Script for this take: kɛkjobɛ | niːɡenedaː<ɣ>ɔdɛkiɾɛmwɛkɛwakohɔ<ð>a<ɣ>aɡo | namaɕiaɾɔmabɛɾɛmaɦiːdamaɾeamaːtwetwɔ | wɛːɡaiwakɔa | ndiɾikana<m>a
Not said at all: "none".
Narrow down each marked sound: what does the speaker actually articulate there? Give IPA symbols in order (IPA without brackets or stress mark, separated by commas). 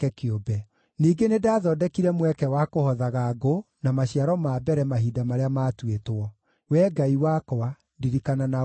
ð, ð, ɣ, n